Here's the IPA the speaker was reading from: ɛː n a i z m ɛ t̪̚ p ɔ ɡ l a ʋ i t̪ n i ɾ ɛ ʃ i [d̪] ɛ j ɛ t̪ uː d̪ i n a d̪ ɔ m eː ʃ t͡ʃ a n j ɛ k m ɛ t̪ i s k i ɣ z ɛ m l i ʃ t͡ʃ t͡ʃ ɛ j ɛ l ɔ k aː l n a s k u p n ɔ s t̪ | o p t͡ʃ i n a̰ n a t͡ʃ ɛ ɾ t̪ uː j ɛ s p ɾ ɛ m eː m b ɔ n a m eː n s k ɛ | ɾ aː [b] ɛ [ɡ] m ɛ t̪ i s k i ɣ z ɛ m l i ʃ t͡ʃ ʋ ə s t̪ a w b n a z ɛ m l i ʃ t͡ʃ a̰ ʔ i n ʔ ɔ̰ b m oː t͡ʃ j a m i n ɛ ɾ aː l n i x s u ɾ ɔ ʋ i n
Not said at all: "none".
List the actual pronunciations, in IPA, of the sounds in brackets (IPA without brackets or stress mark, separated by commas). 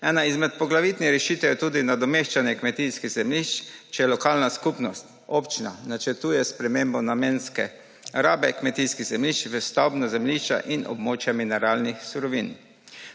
t̪, b, k